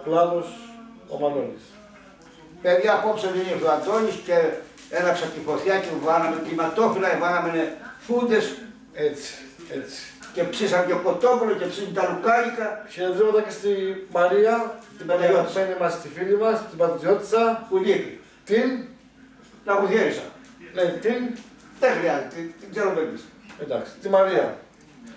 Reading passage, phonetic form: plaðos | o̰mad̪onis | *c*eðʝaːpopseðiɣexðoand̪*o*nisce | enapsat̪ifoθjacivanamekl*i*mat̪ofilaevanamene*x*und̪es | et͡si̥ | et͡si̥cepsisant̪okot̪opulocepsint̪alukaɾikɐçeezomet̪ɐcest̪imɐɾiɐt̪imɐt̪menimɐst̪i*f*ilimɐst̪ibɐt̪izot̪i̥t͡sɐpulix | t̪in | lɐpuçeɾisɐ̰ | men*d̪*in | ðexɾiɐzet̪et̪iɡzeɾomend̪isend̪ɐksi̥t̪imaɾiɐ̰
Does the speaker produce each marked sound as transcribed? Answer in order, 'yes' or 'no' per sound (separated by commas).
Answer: no, yes, yes, no, yes, no